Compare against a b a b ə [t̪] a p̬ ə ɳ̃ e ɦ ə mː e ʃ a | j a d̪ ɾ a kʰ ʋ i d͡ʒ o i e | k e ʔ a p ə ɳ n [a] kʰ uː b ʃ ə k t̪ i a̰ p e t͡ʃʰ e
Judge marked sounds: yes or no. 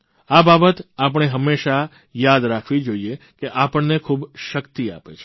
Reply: yes, no

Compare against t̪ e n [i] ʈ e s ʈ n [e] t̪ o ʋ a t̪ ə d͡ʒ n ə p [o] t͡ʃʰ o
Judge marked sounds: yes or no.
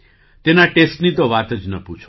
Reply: no, no, no

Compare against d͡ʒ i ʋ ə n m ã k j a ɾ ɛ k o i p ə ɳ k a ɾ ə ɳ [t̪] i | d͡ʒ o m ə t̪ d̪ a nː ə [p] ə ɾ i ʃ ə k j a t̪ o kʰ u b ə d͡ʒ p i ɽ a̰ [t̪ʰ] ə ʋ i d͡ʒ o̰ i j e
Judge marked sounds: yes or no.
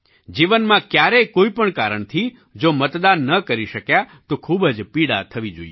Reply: no, no, yes

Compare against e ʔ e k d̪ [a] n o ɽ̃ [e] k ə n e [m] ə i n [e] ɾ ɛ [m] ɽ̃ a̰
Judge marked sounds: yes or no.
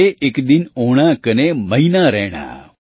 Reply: no, no, yes, no, no

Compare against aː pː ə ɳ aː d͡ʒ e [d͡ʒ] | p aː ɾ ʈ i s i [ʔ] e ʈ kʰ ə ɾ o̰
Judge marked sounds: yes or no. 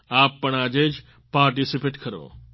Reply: yes, no

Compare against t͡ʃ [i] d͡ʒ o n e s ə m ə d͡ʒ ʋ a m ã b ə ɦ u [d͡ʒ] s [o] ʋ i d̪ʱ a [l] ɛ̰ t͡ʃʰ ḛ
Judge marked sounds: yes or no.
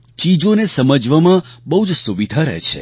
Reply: yes, yes, no, no

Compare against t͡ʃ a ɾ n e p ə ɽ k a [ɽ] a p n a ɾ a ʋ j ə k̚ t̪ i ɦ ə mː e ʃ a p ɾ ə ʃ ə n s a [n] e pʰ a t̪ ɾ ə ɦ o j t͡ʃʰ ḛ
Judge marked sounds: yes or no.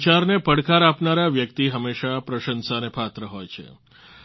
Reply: no, yes

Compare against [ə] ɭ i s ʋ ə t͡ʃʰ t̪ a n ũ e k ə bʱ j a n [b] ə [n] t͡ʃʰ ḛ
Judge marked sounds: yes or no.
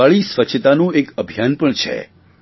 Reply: no, no, no

